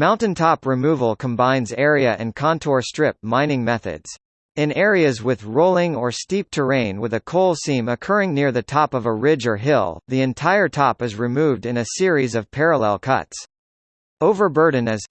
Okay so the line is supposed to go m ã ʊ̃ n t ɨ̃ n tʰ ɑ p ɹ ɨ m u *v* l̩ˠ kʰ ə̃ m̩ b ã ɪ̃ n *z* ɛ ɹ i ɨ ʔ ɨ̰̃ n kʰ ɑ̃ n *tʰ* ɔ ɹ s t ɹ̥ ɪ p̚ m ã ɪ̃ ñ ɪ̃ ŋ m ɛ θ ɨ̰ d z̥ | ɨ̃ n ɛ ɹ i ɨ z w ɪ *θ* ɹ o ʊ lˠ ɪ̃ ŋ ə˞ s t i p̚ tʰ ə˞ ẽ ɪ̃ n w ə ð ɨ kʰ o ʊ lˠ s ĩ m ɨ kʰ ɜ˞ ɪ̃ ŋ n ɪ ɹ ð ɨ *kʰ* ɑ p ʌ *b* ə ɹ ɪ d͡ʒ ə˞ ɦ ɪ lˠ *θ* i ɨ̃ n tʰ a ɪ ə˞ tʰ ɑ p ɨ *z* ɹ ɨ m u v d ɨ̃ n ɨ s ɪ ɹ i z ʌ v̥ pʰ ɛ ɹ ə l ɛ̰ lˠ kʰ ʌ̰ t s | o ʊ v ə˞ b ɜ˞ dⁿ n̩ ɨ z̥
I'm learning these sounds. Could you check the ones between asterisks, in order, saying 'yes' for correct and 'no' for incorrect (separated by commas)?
yes, yes, yes, no, no, no, no, yes